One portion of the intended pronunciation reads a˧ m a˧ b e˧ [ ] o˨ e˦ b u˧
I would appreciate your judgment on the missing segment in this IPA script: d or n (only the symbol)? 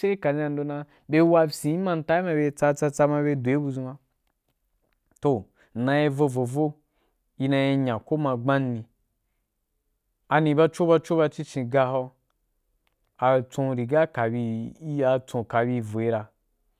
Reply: d